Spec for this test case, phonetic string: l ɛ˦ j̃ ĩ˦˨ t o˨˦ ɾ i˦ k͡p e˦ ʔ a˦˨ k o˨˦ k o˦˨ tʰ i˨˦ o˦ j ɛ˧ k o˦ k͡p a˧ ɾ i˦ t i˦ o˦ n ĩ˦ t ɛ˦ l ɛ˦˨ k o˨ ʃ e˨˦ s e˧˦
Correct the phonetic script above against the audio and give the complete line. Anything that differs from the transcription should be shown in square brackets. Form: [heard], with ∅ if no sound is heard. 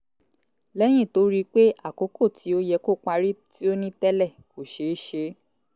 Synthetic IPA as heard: l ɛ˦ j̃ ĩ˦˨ t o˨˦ ɾ i˦ k͡p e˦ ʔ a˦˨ k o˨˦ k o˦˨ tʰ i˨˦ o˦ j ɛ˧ k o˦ k͡p a˧ ɾ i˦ t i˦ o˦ n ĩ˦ t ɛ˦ l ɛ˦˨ k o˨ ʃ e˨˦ [ʃ] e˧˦